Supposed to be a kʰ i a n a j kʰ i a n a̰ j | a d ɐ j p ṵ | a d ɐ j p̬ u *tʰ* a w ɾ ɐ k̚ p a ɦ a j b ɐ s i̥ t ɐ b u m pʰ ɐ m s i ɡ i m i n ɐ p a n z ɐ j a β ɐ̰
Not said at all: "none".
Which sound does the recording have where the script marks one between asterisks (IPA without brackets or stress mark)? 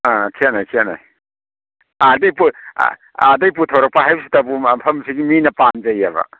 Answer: tʰ